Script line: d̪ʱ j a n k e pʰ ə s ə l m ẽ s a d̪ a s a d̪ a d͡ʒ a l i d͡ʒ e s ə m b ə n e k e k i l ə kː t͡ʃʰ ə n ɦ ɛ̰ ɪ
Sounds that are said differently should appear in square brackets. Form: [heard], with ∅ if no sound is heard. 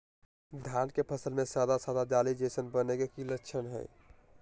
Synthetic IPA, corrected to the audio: d̪ʱ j a n k e pʰ ə s ə l m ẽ s a d̪ a s a d̪ a d͡ʒ a l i d͡ʒ e s ə [n] b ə n e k e k i l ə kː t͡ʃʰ ə n ɦ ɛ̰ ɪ